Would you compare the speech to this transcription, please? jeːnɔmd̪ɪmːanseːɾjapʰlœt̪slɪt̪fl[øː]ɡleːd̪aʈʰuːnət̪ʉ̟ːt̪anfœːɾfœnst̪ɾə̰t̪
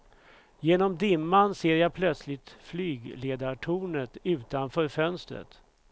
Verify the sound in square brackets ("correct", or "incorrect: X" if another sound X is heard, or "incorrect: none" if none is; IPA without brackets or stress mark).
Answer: incorrect: yː